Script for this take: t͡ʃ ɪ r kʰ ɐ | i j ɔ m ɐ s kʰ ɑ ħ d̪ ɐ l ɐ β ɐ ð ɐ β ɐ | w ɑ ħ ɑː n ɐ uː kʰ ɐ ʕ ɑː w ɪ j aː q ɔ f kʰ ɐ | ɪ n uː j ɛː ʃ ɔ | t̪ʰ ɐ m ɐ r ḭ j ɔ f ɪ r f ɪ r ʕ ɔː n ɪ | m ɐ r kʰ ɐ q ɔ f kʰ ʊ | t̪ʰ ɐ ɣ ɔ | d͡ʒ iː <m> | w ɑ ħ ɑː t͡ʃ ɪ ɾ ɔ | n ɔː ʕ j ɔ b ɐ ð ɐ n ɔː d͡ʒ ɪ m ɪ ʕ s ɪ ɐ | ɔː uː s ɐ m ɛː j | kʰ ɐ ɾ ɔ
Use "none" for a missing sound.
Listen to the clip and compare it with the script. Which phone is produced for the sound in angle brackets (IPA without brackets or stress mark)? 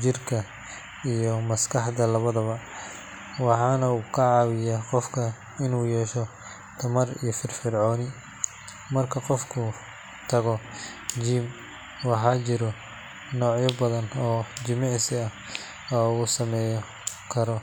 m